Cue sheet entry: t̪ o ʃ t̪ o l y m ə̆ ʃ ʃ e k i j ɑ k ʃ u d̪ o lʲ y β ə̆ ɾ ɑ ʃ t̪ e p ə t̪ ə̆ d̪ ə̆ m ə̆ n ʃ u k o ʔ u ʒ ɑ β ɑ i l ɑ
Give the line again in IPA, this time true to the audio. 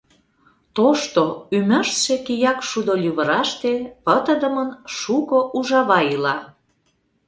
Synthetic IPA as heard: t̪ o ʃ t̪ o y m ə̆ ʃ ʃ e k i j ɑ k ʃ u d̪ o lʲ y β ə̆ ɾ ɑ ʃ t̪ e p ə t̪ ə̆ d̪ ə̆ m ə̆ n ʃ u k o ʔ u ʒ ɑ β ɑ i l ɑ